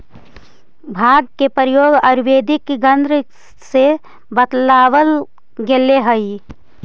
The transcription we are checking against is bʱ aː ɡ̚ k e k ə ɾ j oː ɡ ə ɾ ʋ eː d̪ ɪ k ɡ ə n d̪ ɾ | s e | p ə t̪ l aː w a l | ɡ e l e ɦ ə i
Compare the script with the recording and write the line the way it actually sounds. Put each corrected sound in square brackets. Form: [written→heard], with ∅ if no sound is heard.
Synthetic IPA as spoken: bʱ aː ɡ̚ k e [k→p] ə ɾ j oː ɡ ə ɾ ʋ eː d̪ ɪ k ɡ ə n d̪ ɾ | s e | [p→b] ə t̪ l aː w [a→ə] l | ɡ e l e ɦ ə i